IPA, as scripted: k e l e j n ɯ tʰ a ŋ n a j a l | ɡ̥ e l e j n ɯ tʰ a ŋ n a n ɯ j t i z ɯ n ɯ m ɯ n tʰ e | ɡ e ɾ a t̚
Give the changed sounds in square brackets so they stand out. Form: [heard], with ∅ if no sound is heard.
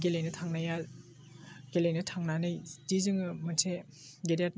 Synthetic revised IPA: [ɡ] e l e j n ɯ tʰ a ŋ n a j a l | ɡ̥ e l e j n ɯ tʰ a ŋ n a n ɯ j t i z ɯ [ŋ] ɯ m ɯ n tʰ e | ɡ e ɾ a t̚